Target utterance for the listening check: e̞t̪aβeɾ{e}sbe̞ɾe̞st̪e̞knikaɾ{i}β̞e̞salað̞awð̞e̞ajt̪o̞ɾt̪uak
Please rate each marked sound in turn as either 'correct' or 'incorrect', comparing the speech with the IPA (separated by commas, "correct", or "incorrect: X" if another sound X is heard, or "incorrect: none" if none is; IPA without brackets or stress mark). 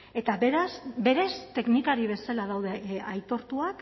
incorrect: a, correct